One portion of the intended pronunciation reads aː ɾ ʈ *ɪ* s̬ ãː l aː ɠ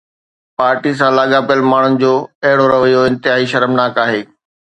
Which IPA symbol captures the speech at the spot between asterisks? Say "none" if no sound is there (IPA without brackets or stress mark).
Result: i